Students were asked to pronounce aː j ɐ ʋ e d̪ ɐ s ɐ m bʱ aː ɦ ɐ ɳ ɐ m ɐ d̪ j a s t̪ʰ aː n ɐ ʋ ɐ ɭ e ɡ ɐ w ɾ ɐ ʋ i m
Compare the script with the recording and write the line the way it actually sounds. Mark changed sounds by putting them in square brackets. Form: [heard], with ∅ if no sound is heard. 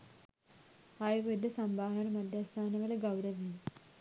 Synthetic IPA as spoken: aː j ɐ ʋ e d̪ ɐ s ɐ m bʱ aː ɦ ɐ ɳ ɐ m ɐ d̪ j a s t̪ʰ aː n ɐ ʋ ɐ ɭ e ɡ ɐ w ɾ ɐ ʋ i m

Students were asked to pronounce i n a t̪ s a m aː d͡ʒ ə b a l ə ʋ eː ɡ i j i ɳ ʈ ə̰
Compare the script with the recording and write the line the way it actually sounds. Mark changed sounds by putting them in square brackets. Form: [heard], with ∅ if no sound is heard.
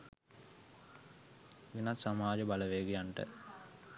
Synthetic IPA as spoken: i n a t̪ s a m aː d͡ʒ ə b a l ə ʋ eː ɡ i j [a] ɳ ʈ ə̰

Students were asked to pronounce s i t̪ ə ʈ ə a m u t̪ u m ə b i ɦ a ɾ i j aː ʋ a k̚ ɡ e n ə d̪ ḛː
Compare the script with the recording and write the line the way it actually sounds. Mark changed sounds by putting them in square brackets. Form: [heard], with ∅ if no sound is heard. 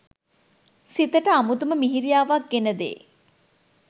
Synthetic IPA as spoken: s i t̪ ə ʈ ə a m u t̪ u m ə [m] i ɦ [i] ɾ i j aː ʋ a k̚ ɡ e n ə d̪ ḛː

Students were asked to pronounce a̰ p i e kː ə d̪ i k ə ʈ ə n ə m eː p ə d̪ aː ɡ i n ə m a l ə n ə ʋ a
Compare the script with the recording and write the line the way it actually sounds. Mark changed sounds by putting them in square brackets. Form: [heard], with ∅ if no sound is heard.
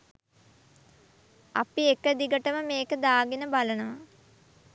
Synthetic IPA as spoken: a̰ p i e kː ə d̪ i [ɡ] ə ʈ ə [m] ə m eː [k] ə d̪ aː ɡ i n ə [b] a l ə n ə ʋ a

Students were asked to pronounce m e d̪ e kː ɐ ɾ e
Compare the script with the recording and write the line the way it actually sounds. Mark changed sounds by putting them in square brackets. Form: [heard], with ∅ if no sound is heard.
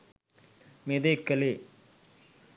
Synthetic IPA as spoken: m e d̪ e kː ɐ [l] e

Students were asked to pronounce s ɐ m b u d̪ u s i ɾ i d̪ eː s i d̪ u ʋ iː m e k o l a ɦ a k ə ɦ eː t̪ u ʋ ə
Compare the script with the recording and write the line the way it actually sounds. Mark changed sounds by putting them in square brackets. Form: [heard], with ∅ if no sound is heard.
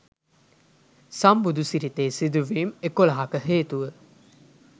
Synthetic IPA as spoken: s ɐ m b u d̪ u s i ɾ i [t̪] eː s i d̪ u ʋ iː m e k o l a ɦ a k ə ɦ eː t̪ u ʋ ə

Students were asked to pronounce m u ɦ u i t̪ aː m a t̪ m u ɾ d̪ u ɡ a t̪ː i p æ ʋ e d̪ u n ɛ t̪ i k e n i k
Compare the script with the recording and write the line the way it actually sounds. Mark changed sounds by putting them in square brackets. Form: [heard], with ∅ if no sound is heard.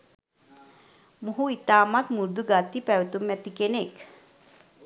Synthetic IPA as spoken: m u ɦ u i t̪ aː m a t̪ m u ɾ d̪ u ɡ a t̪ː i p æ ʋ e [t̪] u [m] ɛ t̪ i k e n [e] k

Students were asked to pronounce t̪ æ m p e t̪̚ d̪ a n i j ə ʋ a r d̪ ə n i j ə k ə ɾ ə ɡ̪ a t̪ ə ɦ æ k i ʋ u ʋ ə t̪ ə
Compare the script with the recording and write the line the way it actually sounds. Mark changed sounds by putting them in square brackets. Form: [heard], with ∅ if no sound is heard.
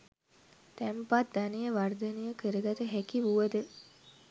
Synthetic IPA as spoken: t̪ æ m p [a] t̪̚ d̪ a n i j ə ʋ a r d̪ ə n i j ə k ə ɾ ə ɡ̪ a t̪ ə ɦ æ k i ʋ u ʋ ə [d̪] ə

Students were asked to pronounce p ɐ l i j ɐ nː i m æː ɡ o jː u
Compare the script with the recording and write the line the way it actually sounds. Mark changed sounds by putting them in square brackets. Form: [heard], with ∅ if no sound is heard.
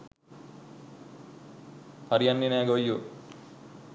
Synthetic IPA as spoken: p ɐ [ɾ] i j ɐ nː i [n] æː ɡ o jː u

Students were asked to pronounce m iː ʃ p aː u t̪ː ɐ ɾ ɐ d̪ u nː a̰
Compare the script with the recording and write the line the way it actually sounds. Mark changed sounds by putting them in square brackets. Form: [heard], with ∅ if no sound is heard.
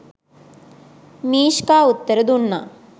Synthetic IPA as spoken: m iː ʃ [k] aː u t̪ː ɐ ɾ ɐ d̪ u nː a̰

